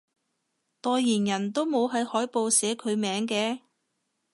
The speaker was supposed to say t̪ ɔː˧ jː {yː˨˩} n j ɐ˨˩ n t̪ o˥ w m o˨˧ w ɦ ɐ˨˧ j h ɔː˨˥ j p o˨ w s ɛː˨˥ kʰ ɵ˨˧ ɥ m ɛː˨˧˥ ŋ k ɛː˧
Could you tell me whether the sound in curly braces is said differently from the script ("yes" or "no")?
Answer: yes